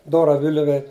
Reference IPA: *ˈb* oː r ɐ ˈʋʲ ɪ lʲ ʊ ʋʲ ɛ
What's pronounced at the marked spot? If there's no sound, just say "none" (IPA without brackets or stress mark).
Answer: d